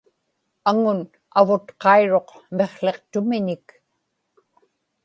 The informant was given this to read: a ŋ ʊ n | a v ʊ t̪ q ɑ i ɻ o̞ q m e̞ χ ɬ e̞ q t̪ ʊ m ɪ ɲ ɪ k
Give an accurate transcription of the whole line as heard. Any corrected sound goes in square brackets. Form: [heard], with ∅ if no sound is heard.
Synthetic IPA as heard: a ŋ ʊ n | a v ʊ t̪ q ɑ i ɻ o̞ q m e̞ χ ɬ e̞ q t̪ ʊ m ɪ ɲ ɪ k